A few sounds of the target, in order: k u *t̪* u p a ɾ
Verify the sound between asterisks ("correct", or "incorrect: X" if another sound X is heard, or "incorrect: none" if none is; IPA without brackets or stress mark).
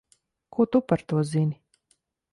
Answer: correct